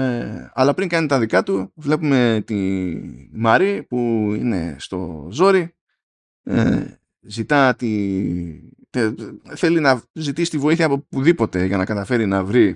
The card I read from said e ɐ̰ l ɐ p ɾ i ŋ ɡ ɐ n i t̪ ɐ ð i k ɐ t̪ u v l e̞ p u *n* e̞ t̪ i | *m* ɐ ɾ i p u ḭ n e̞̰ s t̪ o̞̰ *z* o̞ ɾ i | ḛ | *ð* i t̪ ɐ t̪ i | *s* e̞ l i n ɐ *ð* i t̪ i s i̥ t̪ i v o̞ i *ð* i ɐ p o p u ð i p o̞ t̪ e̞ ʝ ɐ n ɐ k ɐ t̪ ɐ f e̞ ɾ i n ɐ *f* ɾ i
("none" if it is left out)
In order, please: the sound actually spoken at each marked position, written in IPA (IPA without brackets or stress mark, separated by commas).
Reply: m, m, z, z, θ, z, θ, v